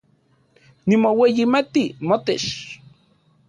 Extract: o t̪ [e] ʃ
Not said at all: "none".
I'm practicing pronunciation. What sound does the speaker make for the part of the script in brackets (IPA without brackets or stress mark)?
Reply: e